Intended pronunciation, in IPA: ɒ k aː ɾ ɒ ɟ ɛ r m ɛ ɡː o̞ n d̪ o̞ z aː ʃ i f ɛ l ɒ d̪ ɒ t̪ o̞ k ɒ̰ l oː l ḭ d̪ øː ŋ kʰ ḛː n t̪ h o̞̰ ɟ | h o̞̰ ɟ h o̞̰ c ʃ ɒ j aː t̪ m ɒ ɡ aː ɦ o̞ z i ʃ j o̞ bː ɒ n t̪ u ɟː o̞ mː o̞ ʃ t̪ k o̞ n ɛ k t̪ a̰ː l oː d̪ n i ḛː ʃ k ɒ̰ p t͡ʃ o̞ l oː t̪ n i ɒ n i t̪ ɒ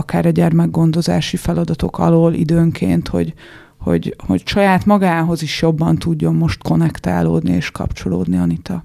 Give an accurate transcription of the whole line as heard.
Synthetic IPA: ɒ k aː ɾ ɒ ɟ ɛ r m ɛ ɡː o̞ n d̪ o̞ z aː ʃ i f ɛ l ɒ d̪ ɒ t̪ o̞ k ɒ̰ l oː l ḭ d̪ øː ŋ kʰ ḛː n t̪ h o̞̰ ɟ | h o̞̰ ɟ h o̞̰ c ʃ ɒ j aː t̪ m ɒ ɡ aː ɦ o̞ z i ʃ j o̞ bː ɒ n t̪ u ɟː o̞ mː o̞ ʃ t̪ k o̞ n ɛ k t̪ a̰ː l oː d̪ n i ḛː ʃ k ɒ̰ p t͡ʃ o̞ l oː d̪ n i ɒ n i t̪ ɒ